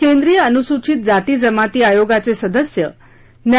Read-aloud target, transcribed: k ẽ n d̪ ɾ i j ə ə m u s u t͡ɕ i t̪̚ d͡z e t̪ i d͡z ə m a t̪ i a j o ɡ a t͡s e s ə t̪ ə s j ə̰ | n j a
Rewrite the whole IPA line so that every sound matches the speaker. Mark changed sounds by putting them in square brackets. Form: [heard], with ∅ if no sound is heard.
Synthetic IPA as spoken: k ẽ n d̪ ɾ i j ə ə [n] u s u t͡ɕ i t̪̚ d͡z [a] t̪ i d͡z ə m a t̪ i a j o ɡ a t͡s e s ə [d̪] ə s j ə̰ | n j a